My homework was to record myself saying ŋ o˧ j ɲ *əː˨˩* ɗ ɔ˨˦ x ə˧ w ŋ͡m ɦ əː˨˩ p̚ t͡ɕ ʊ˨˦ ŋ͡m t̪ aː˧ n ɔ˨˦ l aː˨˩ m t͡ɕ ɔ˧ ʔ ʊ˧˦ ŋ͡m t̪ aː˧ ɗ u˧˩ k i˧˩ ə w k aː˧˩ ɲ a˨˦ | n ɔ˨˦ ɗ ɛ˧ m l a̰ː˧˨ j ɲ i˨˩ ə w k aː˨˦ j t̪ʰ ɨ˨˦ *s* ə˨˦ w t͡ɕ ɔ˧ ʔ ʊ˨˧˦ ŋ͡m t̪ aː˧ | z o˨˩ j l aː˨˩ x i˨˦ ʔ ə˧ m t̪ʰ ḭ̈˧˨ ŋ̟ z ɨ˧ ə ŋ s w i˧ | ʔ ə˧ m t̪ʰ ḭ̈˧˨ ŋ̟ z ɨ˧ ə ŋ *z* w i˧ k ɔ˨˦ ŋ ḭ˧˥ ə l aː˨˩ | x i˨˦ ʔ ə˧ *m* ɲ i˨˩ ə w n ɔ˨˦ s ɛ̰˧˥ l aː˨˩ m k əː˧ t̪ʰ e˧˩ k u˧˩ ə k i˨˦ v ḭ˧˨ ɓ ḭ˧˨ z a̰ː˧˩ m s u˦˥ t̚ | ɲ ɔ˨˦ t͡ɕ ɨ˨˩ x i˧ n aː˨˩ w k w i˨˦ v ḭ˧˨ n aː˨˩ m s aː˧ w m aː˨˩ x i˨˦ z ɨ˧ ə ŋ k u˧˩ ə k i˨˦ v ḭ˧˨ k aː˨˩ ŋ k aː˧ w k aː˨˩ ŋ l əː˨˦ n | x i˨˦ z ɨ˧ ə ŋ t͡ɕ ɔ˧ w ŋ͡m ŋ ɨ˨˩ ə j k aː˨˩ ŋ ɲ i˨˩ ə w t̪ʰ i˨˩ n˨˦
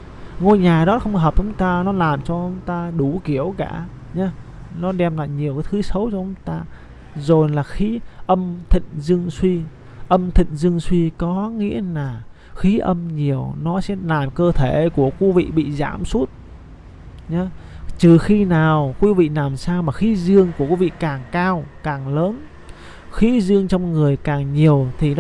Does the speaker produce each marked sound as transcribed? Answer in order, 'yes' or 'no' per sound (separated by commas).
no, yes, no, yes